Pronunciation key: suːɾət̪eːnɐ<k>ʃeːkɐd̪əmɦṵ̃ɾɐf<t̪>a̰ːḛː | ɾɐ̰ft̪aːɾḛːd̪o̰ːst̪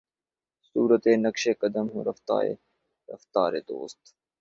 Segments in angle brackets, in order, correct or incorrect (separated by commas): correct, correct